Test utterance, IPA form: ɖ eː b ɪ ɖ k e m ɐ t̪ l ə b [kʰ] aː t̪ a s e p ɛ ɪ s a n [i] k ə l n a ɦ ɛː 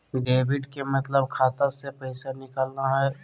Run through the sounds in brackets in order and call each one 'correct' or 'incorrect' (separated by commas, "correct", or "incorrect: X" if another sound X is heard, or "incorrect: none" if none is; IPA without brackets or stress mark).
correct, incorrect: ɪ